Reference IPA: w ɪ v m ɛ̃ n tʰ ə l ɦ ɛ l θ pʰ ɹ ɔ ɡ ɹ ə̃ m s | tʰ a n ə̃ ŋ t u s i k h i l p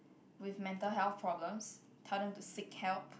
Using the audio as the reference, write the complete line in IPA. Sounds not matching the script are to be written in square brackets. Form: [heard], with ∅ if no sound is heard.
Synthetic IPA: w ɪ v m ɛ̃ n [t] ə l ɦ ɛ l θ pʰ ɹ ɔ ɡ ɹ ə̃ m s | tʰ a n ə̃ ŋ t u s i k h [ɛ] l p